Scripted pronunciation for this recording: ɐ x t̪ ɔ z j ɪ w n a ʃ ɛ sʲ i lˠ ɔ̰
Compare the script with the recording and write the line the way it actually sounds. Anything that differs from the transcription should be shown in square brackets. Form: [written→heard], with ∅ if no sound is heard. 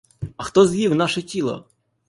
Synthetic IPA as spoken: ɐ x t̪ ɔ z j [ɪ→i] w n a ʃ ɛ [sʲ→tʲ] i lˠ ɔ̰